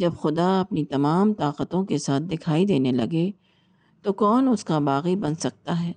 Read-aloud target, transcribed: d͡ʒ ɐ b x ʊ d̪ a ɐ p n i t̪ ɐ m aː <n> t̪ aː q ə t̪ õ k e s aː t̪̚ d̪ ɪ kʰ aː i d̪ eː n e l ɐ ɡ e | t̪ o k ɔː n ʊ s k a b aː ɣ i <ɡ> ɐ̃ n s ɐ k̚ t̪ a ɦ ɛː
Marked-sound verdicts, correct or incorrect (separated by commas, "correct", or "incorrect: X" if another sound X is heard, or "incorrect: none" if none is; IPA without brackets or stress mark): incorrect: m, incorrect: b